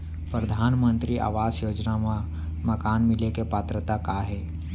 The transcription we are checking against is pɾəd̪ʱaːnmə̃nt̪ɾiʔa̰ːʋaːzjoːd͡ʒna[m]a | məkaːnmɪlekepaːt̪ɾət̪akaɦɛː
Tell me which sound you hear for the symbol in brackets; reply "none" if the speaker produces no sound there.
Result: m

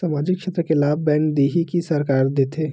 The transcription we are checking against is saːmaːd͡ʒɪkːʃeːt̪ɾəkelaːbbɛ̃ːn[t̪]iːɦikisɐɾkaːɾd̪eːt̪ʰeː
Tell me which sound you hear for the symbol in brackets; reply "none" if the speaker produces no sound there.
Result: d̪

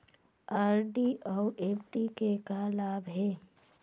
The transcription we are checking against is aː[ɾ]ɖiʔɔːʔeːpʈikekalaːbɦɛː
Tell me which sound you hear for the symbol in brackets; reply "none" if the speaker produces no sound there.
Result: ɾ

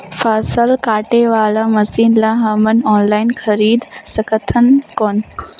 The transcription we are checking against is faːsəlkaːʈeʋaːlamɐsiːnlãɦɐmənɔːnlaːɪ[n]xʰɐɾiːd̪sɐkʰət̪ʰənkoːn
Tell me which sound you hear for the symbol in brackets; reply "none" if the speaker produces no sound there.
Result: n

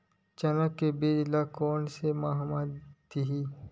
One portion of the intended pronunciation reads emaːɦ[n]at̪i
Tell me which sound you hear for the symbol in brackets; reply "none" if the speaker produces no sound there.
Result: m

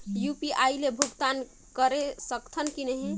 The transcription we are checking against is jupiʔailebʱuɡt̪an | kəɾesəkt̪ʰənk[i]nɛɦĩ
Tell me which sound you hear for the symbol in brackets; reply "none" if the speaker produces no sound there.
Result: i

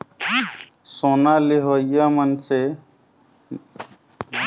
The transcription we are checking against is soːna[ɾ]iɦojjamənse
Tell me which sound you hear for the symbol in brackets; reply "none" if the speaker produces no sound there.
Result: l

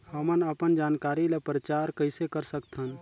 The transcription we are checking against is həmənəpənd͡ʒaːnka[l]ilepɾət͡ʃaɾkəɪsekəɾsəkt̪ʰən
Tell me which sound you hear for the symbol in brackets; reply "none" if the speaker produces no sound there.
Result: ɾ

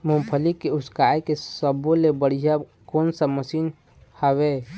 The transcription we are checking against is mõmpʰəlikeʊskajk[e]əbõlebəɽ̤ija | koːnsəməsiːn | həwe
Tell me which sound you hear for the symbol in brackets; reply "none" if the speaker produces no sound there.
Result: e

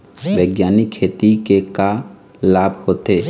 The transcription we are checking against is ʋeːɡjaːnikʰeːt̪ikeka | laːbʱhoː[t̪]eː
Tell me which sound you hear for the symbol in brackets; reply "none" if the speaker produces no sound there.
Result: t̪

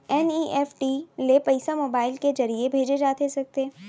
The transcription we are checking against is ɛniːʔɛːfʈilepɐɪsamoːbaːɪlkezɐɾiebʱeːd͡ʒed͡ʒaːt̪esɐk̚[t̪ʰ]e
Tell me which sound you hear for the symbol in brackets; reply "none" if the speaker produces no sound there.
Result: t̪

